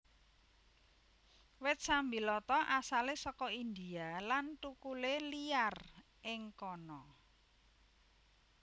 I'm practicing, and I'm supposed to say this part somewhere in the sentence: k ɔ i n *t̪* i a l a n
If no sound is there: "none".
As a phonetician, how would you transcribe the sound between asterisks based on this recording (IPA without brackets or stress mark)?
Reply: d̪